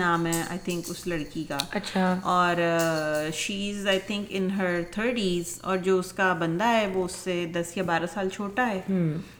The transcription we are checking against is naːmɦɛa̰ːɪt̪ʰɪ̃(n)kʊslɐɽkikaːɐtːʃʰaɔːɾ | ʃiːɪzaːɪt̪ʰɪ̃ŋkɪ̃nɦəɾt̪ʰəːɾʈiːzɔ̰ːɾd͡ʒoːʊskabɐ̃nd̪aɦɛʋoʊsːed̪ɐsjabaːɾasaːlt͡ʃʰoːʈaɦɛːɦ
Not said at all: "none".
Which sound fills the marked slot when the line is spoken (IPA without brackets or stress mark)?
ŋ